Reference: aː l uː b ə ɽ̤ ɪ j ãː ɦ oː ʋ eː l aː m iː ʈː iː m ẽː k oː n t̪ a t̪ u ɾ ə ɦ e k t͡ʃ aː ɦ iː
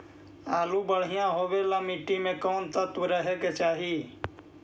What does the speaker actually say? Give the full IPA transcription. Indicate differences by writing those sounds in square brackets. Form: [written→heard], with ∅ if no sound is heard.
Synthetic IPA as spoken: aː l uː b ə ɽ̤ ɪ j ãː ɦ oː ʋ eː l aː m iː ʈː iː m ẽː k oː n t̪ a t̪ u ɾ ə ɦ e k t͡ʃ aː ɦ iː